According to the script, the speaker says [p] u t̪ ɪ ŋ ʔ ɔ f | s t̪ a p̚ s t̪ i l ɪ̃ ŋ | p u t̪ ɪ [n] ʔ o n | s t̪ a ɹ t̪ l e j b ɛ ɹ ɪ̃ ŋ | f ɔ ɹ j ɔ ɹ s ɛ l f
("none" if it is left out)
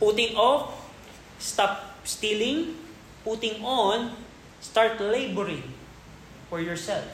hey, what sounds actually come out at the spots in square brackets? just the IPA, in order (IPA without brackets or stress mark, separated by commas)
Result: p, ŋ